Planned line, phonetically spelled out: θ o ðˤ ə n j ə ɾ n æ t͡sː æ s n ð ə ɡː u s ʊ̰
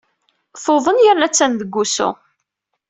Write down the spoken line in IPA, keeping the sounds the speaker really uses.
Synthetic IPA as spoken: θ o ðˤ ə n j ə ɾ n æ t͡sː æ n ð ə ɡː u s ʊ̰

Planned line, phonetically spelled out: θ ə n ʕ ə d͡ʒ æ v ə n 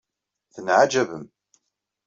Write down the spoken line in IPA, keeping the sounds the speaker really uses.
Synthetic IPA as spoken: θ ə n ʕ a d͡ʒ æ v ə m

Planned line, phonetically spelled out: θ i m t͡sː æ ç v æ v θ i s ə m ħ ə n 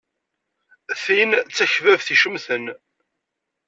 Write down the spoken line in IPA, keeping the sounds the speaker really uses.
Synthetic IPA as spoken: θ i n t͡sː æ ç v æ v θ i ʃ ə m θ ə n

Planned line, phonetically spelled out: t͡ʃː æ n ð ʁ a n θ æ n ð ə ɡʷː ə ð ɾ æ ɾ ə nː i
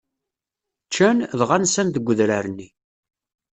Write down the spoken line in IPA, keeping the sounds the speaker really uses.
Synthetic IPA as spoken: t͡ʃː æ n ð ʁ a n s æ n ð ə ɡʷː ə ð ɾ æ ɾ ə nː i

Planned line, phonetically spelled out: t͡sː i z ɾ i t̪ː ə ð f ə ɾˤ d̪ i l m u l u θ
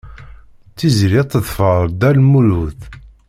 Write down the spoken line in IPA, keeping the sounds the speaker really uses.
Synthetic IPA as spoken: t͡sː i z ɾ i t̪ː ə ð f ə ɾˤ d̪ æ l m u l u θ

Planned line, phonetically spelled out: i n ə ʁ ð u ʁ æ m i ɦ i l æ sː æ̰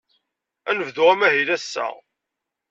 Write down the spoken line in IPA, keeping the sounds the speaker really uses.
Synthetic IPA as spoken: æ n ə v ð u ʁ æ m æ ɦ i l æ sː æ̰

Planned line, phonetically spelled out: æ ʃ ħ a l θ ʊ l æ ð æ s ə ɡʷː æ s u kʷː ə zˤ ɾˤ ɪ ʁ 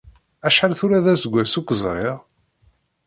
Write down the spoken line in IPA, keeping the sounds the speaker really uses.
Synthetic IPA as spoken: æ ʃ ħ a l θ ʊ ɾ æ ð æ s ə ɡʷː æ s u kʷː ə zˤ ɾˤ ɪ ʁ

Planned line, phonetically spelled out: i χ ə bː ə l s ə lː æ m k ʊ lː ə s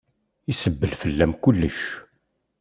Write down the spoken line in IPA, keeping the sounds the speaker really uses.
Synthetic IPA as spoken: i s ə bː ə l f ə lː æ m k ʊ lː ə ʃ

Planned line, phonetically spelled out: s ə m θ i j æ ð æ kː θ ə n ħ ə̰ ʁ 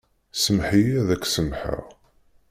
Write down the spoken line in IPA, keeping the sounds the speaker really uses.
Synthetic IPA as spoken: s ə m ħ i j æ ð æ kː s ə m ħ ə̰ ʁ

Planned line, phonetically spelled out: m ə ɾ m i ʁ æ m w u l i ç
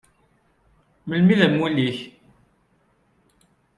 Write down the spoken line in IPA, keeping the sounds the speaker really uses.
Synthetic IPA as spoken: m ə l m i ð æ m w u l i ç

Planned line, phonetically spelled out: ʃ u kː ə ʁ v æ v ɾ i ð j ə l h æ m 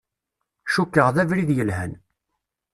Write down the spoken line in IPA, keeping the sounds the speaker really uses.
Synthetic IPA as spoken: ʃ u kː ə ʁ ð æ v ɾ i ð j ə l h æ n

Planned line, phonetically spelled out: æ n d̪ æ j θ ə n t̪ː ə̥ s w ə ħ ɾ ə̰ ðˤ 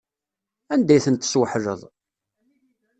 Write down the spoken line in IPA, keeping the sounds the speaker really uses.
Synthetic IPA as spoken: æ n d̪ æ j θ ə n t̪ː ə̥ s w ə ħ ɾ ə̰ ðˤ

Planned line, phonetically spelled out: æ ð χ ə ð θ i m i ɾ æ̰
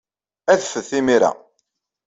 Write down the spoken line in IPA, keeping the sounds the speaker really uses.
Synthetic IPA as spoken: æ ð f ə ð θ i m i ɾ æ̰

